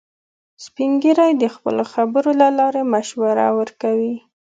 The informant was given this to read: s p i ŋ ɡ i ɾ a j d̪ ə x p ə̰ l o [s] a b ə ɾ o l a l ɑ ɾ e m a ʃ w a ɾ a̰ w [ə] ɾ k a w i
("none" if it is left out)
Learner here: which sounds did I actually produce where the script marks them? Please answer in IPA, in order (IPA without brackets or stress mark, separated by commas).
x, ə